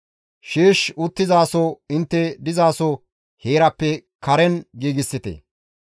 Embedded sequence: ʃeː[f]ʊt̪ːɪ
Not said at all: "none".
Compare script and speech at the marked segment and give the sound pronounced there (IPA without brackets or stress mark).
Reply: ʃ